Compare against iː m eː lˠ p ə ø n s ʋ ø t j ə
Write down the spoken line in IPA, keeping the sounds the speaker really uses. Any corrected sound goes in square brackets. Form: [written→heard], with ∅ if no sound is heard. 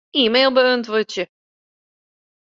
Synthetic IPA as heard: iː m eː lˠ [p→b] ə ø n [s→t] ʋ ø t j ə